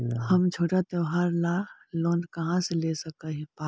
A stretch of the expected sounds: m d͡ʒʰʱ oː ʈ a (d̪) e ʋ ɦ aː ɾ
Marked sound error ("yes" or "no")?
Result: yes